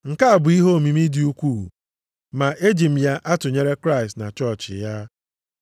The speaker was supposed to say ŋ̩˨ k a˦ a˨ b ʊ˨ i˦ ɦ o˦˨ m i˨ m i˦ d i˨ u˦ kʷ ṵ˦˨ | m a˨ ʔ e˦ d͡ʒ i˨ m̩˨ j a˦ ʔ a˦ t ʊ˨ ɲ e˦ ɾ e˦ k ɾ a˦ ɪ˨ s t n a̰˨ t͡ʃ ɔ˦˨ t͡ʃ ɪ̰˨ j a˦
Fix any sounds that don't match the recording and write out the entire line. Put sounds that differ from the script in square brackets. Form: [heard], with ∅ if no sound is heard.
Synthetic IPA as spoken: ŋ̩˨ k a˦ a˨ b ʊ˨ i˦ ɦ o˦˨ m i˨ m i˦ d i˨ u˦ kʷ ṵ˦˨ | m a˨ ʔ e˦ d͡ʒ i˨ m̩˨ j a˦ ʔ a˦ t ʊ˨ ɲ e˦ ɾ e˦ k ɾ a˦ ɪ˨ s t n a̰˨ t͡ʃ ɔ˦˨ t͡ʃ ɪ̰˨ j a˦

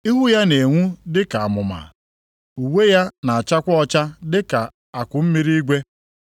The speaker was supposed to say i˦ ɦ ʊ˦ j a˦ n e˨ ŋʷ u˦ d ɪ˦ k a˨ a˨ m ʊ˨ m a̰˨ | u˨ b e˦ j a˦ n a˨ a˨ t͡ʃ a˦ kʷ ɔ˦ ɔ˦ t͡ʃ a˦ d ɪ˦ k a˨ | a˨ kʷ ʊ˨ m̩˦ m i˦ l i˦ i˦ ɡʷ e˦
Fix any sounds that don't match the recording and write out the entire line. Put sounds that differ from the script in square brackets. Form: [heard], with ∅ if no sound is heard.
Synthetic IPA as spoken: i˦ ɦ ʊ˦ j a˦ n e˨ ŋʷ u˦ d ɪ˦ k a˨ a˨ m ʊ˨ m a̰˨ | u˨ [w] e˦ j a˦ n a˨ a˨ t͡ʃ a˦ kʷ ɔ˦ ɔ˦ t͡ʃ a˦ d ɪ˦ k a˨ | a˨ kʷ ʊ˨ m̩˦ m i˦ [ɾ] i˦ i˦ ɡʷ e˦

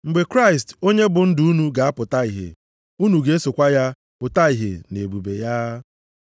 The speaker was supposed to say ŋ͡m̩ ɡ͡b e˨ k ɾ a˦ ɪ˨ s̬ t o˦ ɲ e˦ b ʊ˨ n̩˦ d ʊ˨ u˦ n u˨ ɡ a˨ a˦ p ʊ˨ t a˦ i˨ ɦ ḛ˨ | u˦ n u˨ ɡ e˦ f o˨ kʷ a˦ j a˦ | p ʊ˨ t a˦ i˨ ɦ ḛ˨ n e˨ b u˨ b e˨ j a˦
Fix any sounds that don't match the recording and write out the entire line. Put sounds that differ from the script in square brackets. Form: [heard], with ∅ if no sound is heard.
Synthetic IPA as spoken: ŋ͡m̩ ɡ͡b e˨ k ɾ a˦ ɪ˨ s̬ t o˦ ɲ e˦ b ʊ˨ n̩˦ d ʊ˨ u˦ n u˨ ɡ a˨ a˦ p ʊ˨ t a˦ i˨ ɦ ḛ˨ | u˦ n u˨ ɡ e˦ [s] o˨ kʷ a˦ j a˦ | p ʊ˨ t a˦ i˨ ɦ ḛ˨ n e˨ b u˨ b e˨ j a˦

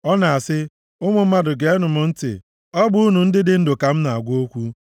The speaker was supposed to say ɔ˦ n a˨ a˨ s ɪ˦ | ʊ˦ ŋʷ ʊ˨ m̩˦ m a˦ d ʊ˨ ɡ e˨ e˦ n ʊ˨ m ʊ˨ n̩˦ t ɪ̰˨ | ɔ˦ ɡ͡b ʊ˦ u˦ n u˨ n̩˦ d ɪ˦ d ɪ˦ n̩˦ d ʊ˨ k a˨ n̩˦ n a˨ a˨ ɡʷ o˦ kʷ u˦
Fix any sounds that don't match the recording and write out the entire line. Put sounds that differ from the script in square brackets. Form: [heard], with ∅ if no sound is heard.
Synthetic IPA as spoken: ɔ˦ n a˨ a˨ s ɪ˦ | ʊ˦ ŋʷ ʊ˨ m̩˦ m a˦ d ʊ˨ ɡ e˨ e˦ n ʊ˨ m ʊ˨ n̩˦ t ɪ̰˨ | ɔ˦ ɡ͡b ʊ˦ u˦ n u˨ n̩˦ d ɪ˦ d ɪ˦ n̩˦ d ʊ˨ k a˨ [m̩˦] n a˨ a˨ ɡʷ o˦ kʷ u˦

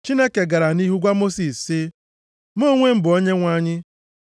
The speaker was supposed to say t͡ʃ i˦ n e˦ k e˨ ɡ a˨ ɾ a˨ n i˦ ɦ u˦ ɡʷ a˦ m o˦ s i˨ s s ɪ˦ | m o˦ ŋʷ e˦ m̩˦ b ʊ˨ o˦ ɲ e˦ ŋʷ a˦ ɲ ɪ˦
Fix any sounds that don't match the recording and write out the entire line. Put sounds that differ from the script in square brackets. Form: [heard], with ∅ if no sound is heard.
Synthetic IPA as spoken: t͡ʃ i˦ n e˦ k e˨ ɡ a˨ ɾ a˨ n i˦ ɦ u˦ ɡʷ a˦ m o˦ s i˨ s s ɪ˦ | m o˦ ŋʷ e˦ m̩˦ b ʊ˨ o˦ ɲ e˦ ŋʷ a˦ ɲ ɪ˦

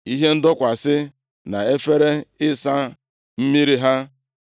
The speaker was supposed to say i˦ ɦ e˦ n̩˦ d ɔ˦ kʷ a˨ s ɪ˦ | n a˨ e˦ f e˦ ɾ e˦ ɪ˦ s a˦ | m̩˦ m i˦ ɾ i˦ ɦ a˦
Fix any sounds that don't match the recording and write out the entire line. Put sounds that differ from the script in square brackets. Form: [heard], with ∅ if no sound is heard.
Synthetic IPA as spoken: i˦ ɦ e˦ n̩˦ d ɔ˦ kʷ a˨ s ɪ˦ | n a˨ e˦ f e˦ ɾ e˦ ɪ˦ s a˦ | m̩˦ m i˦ ɾ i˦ ɦ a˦

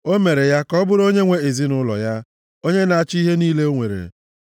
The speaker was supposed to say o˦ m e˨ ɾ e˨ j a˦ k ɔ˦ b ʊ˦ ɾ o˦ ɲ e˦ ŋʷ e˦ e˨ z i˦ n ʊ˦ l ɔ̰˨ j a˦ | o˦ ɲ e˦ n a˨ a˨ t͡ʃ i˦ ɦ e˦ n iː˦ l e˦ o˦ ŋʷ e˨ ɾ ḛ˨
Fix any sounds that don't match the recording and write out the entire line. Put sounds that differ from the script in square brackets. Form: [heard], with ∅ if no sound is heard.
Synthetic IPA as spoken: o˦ m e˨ ɾ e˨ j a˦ k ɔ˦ b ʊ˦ ɾ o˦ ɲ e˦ ŋʷ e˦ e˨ z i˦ n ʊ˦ l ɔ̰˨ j a˦ | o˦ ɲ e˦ n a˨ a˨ t͡ʃ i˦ ɦ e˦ n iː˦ l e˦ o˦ ŋʷ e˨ ɾ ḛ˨

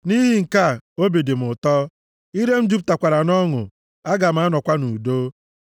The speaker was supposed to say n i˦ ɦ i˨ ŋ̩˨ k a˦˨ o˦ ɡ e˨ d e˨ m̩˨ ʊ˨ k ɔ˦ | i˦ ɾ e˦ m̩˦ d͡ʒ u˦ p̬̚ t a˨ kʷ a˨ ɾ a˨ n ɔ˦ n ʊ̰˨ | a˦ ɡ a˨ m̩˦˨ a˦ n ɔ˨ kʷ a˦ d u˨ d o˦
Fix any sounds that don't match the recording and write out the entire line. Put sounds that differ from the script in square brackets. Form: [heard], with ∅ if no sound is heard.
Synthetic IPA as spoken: n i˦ ɦ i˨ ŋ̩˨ k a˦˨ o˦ [b] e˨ d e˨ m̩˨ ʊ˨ [t] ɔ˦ | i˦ ɾ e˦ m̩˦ d͡ʒ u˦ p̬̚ t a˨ kʷ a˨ ɾ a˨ n ɔ˦ [ŋ] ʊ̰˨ | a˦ ɡ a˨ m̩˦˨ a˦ n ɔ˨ kʷ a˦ [n] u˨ d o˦

